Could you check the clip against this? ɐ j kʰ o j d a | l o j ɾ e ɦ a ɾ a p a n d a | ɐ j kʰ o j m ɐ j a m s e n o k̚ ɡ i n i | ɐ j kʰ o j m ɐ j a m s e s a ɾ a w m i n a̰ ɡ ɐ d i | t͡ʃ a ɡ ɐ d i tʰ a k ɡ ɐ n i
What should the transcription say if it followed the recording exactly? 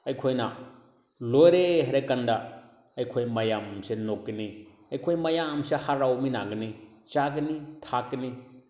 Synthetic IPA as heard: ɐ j kʰ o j n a | l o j ɾ e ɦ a ɾ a k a n d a | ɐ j kʰ o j m ɐ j a m s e n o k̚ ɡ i n i | ɐ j kʰ o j m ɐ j a m s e h a ɾ a w m i n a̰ ɡ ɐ n i | t͡ʃ a ɡ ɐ n i tʰ a k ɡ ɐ n i